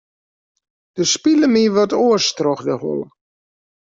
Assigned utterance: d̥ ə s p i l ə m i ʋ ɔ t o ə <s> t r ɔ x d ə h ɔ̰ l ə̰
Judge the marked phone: correct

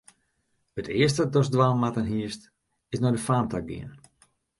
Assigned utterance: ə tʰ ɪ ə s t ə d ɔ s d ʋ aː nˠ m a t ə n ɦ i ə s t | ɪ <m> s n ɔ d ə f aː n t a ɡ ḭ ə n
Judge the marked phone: incorrect: none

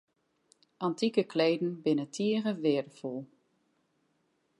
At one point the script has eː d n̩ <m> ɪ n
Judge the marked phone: incorrect: b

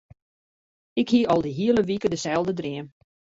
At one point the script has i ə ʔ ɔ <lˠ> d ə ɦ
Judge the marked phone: correct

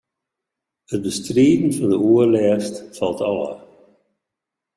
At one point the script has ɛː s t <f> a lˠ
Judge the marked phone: correct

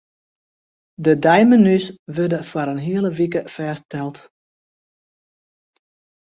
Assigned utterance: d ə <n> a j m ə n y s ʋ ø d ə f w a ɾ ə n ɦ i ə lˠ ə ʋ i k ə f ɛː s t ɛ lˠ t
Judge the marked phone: incorrect: d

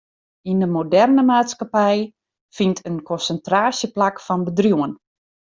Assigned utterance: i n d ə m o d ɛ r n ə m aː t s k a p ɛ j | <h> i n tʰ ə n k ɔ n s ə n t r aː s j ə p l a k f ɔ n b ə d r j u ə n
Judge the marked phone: incorrect: f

